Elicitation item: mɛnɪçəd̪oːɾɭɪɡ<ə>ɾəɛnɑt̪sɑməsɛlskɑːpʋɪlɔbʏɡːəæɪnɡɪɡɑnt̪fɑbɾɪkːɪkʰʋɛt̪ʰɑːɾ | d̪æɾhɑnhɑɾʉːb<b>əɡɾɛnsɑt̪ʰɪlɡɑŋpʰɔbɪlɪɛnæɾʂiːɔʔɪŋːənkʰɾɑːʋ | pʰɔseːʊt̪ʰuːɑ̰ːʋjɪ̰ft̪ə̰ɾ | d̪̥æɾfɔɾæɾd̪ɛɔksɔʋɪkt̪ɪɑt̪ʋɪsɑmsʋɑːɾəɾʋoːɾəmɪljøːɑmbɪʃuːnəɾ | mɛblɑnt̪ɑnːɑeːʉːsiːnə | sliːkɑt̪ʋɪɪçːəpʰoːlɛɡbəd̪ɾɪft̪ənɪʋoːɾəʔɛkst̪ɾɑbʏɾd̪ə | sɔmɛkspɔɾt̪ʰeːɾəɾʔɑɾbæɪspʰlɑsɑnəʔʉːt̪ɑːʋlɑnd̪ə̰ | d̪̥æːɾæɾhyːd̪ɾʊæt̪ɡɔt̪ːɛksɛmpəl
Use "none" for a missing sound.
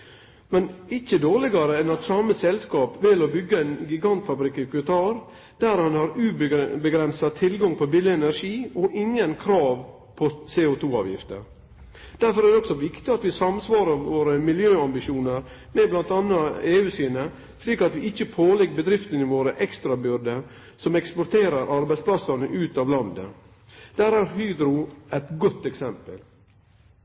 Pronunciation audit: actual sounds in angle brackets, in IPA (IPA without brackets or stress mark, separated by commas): ɑ, b